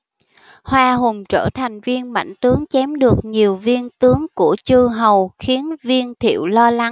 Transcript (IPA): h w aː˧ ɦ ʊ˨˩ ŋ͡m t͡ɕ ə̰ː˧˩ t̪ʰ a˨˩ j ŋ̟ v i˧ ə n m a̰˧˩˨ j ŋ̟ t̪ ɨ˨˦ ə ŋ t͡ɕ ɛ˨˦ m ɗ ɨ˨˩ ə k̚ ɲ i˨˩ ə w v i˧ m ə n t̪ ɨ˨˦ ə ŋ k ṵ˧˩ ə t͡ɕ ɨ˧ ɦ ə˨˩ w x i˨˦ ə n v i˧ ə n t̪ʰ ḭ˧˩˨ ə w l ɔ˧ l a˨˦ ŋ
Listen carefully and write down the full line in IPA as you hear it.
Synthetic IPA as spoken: h w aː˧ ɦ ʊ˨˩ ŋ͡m t͡ɕ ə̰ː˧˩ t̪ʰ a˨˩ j ŋ̟ v i˧ ə n m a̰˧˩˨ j ŋ̟ t̪ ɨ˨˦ ə ŋ t͡ɕ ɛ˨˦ m ɗ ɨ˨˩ ə k̚ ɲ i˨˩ ə w v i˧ ə n t̪ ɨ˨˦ ə ŋ k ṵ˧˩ ə t͡ɕ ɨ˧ ɦ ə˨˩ w x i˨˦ ə n v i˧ ə n t̪ʰ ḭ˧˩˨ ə w l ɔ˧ l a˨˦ ŋ